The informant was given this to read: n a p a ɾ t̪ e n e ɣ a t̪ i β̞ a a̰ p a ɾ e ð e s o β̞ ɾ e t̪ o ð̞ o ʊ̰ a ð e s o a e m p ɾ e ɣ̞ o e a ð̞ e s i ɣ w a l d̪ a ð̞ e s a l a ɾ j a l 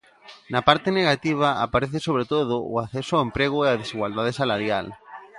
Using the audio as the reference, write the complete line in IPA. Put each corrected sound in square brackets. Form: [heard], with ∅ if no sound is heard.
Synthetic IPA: n a p a ɾ t̪ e n e ɣ a t̪ i β̞ a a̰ p a ɾ e [θ] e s o β̞ ɾ e t̪ o ð̞ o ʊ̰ a [θ] e s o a e m p ɾ e ɣ̞ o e a ð̞ e s i ɣ w a l d̪ a ð̞ e s a l a ɾ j a l